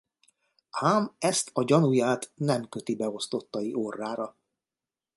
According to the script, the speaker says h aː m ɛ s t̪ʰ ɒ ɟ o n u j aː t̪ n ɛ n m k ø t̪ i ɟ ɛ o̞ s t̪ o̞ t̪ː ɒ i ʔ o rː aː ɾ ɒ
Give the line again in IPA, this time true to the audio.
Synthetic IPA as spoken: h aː m ɛ s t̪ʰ ɒ ɟ ɒ n u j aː t̪ n ɛ m k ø t̪ i b ɛ o̞ s t̪ o̞ t̪ː ɒ i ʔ o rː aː ɾ ɒ